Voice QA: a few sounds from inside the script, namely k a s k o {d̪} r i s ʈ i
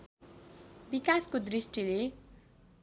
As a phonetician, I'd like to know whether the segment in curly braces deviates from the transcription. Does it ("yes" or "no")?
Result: no